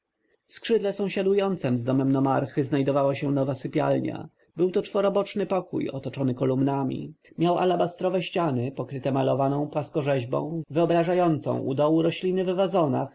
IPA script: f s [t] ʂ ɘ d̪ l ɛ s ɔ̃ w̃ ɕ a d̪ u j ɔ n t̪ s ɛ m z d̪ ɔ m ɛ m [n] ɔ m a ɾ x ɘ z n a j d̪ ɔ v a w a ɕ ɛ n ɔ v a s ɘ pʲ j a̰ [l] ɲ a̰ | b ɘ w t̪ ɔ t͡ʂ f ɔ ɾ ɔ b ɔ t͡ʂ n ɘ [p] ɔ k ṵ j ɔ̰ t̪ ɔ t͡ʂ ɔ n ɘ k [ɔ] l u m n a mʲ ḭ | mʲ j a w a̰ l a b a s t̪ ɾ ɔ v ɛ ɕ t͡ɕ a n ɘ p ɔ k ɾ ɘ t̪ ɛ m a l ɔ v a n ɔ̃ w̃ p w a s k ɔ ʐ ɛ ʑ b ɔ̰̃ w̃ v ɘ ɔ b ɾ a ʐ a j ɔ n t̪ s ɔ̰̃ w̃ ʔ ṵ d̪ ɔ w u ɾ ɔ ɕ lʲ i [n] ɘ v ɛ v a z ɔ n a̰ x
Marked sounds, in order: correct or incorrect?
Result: incorrect, correct, correct, correct, correct, correct

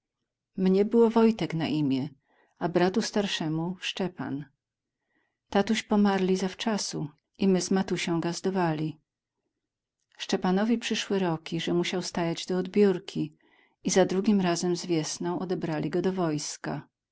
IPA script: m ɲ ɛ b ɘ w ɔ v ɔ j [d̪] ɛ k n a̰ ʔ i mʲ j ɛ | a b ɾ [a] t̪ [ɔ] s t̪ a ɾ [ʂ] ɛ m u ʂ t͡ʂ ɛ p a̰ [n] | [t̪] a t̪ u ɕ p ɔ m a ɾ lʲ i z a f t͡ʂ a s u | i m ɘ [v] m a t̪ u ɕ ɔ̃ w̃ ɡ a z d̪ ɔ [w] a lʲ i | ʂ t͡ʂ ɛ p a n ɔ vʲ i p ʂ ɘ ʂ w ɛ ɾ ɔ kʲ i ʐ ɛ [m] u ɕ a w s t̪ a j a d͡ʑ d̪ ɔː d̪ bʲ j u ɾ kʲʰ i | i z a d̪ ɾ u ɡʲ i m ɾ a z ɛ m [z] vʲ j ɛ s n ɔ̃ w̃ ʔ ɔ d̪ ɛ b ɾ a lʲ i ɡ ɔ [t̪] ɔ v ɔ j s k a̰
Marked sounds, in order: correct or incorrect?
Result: incorrect, correct, incorrect, correct, correct, correct, incorrect, incorrect, correct, correct, incorrect

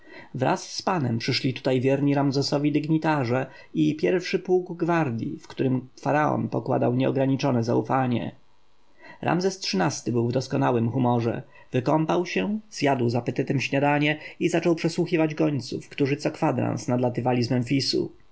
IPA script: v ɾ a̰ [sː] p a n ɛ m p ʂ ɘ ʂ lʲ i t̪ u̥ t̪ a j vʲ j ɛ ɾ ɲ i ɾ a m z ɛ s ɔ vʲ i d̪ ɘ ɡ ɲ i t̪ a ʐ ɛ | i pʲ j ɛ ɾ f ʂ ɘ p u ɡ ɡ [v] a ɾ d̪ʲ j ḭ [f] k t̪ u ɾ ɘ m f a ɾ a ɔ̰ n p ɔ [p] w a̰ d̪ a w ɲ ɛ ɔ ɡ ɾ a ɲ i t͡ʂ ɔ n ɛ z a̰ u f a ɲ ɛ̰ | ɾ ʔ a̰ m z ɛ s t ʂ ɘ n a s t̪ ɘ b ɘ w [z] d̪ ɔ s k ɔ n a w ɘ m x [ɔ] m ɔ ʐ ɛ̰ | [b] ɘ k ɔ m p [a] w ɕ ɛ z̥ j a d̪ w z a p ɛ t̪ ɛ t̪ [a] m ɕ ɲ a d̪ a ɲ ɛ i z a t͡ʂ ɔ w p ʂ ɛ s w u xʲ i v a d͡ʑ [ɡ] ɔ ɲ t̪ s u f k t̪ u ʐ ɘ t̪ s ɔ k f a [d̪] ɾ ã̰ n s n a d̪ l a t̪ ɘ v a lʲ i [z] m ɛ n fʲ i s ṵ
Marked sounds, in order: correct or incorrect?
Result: correct, correct, correct, incorrect, incorrect, incorrect, incorrect, correct, incorrect, correct, correct, correct

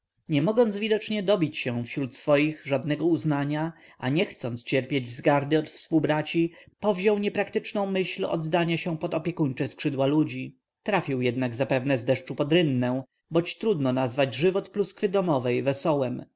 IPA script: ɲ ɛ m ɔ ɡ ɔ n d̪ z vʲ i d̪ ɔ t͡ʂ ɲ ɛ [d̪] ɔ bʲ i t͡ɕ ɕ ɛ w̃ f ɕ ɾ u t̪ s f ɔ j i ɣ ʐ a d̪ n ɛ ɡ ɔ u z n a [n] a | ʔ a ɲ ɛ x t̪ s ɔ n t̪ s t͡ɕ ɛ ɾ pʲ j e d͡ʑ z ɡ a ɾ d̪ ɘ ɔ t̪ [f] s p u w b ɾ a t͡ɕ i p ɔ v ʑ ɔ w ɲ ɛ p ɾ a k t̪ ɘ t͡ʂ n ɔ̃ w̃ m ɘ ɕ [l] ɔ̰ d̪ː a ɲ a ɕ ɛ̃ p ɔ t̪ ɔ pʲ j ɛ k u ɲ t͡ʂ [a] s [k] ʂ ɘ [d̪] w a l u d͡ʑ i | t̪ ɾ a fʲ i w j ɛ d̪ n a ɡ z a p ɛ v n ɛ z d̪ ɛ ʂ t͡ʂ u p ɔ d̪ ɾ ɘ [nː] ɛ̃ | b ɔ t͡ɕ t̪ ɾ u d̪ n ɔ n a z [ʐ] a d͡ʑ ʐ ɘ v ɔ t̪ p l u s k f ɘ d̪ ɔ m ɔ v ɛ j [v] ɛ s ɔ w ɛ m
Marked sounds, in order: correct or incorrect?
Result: correct, incorrect, correct, correct, incorrect, correct, correct, correct, incorrect, correct

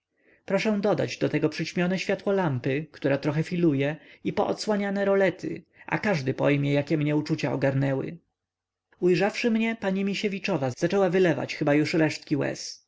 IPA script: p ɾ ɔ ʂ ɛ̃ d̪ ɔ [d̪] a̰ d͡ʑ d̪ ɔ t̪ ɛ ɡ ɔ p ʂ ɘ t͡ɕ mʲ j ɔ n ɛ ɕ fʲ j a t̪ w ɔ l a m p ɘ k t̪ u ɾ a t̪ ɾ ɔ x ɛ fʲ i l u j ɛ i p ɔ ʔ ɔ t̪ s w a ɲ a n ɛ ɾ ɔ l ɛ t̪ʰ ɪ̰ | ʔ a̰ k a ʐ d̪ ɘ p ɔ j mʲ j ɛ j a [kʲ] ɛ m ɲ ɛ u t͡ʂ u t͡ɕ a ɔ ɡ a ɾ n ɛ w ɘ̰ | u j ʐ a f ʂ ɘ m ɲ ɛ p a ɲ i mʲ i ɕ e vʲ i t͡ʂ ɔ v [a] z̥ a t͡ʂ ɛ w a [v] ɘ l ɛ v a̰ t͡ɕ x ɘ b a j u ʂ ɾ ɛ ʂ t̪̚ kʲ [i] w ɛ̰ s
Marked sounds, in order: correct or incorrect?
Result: correct, correct, correct, correct, correct

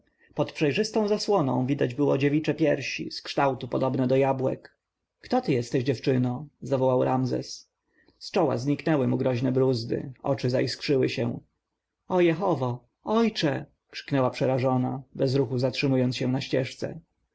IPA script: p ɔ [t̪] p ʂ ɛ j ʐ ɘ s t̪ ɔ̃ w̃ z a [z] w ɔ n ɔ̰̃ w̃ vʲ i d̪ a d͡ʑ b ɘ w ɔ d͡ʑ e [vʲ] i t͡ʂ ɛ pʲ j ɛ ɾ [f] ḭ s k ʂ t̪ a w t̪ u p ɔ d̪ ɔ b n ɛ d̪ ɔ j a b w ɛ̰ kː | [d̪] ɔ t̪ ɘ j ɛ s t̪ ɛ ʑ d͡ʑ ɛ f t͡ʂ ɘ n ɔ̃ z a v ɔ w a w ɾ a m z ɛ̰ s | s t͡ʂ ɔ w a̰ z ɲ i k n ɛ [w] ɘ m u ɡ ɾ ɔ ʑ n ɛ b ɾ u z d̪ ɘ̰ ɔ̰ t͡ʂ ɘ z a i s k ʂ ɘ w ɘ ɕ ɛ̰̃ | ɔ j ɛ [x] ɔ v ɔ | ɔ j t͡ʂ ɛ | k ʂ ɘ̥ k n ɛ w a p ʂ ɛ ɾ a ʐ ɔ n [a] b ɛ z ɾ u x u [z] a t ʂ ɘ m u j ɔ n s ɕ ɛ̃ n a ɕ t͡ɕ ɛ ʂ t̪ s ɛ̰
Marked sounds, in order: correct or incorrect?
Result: correct, incorrect, correct, incorrect, incorrect, correct, correct, correct, correct

